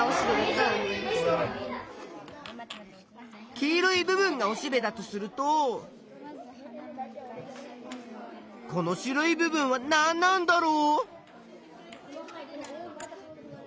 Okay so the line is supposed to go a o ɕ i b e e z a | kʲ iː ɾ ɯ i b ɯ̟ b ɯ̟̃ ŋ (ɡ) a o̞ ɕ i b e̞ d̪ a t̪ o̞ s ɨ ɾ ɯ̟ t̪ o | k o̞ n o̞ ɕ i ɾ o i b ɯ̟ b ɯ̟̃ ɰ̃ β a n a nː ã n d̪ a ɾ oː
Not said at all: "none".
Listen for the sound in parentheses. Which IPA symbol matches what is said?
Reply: ɡ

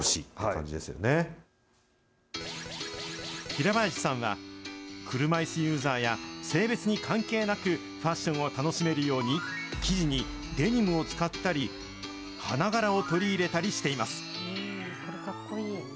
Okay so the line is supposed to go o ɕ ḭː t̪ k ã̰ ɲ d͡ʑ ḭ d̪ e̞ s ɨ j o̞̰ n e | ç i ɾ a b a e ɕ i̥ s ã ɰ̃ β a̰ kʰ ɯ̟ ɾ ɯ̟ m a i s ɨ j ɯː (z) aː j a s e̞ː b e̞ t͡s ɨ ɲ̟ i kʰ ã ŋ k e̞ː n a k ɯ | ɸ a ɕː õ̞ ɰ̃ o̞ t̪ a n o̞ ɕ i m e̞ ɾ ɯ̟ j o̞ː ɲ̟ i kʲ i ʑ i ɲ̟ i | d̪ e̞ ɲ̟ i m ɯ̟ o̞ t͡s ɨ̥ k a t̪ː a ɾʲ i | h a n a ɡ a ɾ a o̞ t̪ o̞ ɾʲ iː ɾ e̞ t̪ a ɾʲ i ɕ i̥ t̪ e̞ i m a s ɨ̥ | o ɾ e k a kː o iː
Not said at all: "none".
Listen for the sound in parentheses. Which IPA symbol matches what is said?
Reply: z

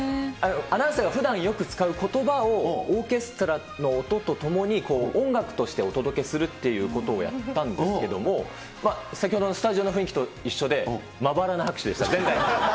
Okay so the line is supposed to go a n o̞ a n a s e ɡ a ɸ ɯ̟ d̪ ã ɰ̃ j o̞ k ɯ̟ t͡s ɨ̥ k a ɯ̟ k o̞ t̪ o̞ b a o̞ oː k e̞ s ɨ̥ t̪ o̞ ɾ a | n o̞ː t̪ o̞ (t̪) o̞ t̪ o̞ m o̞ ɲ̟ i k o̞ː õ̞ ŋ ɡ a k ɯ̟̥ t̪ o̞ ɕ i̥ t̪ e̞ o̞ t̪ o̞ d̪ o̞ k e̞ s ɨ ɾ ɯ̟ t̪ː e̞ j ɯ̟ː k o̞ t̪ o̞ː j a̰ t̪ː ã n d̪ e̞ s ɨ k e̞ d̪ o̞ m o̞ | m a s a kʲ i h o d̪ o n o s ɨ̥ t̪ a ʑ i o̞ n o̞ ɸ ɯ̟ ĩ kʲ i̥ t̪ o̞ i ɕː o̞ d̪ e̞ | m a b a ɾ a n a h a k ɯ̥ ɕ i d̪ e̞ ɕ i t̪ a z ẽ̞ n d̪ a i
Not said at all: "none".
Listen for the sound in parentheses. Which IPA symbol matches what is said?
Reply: t̪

